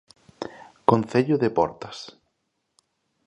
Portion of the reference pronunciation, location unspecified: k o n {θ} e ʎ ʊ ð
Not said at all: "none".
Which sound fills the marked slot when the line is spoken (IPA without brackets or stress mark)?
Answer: θ